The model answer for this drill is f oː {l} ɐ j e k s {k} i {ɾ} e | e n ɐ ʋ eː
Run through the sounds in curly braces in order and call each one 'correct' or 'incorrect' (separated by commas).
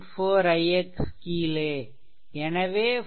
incorrect, correct, incorrect